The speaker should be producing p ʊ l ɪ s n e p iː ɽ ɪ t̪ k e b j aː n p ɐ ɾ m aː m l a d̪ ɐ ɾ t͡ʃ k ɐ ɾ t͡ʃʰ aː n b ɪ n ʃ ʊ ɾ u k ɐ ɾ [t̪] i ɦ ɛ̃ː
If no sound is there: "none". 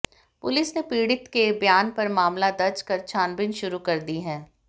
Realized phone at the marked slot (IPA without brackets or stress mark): d̪